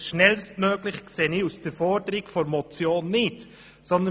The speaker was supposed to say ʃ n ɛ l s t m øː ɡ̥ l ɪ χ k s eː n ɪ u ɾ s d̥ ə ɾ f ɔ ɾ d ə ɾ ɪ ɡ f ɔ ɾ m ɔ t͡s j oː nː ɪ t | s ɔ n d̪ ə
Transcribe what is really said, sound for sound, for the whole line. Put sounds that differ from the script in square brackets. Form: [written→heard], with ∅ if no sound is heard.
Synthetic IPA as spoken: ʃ n ɛ l s t m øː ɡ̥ l ɪ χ k s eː n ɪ u [ɾ→∅] s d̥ ə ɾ f ɔ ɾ d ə ɾ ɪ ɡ f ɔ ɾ m ɔ t͡s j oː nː ɪ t | s ɔ n d̪ ə